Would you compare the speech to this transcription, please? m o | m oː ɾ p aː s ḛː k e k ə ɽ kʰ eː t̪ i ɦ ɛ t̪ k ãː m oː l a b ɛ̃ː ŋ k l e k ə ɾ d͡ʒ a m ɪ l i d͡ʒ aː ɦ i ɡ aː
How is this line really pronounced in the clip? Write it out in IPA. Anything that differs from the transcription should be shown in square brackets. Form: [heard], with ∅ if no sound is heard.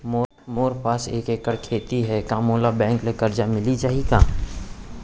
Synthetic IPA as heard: m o | m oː ɾ p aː s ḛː k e k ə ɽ kʰ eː t̪ i ɦ ɛ [∅] k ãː m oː l a b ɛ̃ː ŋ k l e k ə ɾ d͡ʒ a m ɪ l i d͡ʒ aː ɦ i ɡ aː